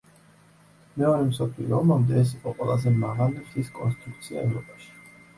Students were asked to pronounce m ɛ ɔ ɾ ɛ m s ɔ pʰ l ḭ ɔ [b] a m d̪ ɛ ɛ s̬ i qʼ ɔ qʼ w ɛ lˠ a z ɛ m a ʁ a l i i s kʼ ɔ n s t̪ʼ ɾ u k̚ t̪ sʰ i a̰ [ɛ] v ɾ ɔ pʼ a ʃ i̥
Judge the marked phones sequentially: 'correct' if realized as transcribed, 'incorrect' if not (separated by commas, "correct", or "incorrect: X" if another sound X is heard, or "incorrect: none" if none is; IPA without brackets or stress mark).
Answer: incorrect: m, correct